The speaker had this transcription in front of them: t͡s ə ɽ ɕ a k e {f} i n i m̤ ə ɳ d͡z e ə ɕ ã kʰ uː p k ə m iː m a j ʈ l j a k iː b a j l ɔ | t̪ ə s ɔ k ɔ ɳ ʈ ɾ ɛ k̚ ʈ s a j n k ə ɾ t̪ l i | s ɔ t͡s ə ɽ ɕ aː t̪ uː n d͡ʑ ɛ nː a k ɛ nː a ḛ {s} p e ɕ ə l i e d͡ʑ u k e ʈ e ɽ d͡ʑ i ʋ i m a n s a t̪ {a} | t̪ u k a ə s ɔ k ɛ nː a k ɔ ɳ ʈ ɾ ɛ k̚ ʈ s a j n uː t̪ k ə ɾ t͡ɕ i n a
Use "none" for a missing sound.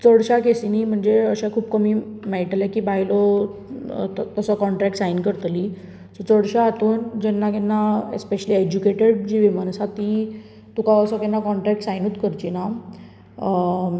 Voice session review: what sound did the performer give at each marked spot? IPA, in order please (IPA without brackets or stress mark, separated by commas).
s, s, i